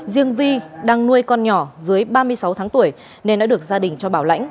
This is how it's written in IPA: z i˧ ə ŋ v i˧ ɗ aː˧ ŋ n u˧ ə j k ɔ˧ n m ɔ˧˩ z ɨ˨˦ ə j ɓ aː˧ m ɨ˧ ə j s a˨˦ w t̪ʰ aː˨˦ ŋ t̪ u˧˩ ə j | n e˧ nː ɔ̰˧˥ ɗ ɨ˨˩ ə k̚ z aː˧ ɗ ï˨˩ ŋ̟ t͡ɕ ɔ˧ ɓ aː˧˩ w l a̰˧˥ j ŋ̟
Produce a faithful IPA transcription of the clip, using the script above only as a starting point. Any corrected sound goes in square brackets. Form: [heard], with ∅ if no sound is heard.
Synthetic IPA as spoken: z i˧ ə ŋ v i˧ ɗ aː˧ ŋ n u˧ ə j k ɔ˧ n [ɲ] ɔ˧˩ z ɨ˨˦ ə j ɓ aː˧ m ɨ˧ ə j s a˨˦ w t̪ʰ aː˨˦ ŋ t̪ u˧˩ ə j | n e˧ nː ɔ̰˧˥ ɗ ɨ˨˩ ə k̚ z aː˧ ɗ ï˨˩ ŋ̟ t͡ɕ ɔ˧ ɓ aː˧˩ w l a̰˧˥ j ŋ̟